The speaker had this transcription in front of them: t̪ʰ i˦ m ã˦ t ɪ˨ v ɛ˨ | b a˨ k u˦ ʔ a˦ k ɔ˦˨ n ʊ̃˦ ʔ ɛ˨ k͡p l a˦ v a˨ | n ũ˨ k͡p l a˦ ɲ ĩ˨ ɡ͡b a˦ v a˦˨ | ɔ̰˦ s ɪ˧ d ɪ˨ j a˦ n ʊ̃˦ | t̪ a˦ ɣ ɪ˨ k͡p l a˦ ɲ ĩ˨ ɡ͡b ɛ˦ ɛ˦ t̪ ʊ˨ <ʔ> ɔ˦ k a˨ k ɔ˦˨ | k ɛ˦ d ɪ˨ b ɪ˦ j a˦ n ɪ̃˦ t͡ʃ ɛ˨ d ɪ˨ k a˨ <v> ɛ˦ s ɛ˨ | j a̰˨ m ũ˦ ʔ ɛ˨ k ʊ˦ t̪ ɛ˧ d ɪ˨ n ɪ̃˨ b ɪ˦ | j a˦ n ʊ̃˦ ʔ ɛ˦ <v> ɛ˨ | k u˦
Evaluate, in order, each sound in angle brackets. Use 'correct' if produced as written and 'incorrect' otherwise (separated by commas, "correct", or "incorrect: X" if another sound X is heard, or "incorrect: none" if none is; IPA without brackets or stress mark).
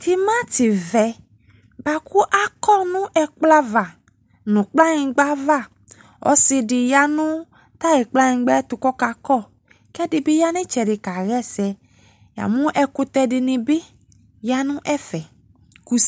incorrect: k, incorrect: ɣ, incorrect: f